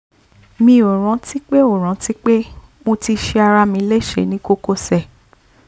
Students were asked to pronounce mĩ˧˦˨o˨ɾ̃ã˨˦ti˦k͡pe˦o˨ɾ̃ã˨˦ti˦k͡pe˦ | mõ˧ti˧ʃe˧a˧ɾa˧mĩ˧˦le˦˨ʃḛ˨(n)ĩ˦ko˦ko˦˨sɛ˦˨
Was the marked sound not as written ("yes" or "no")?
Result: no